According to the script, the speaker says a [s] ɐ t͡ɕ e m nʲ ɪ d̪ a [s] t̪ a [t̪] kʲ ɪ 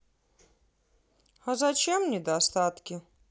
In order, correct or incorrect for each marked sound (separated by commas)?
incorrect, correct, correct